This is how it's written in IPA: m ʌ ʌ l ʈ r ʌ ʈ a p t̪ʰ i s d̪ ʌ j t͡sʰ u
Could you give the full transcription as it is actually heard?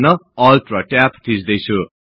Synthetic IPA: n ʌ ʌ l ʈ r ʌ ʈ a p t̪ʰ i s d̪ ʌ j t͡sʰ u